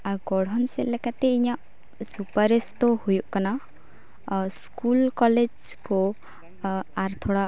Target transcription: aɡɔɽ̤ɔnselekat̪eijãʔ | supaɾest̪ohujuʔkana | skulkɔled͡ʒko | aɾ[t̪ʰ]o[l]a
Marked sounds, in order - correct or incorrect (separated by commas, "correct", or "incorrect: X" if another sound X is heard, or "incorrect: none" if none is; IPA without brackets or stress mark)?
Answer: correct, incorrect: ɽ